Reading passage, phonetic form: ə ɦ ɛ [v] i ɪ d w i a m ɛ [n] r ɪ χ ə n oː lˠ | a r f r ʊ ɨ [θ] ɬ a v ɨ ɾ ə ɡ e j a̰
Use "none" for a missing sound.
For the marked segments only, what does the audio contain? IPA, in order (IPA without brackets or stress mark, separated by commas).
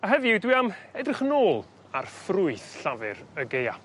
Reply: v, d, θ